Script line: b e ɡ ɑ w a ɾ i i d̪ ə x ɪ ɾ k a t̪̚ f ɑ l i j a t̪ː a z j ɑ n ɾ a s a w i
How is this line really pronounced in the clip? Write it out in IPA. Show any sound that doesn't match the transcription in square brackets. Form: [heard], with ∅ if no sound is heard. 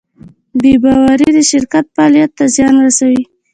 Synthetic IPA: b e [b] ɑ w a ɾ i i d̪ ə [ʃ] ɪ ɾ k a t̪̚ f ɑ l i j a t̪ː a z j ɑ n ɾ a s a w i